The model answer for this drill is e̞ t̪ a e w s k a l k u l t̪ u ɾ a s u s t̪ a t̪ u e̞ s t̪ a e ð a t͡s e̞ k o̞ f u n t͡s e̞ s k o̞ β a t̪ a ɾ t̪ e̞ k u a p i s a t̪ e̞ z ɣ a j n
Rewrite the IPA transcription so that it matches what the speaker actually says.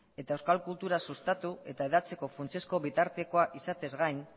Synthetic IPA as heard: e̞ t̪ a e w s k a l k u l t̪ u ɾ a s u s t̪ a t̪ u e̞ t̪ a e ð a t͡s e̞ k o̞ f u n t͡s e̞ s k o̞ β i t̪ a ɾ t̪ e̞ k o a ʔ i s a t̪ e̞ z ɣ a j n